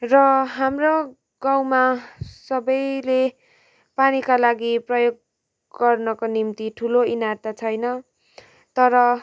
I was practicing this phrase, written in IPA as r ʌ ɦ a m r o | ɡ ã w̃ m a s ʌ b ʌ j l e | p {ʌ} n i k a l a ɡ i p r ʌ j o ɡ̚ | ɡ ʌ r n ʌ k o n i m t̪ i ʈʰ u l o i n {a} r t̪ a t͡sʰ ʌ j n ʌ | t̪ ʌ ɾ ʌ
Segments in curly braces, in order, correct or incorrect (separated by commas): incorrect, correct